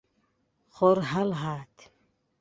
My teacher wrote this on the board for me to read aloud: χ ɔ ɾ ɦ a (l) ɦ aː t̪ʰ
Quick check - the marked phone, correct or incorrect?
correct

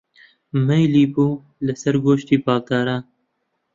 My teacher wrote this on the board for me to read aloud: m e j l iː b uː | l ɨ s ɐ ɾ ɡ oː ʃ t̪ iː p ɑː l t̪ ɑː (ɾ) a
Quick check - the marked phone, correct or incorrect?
correct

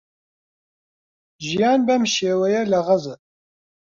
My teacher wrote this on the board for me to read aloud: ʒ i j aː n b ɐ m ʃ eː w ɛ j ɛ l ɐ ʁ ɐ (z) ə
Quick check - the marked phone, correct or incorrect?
correct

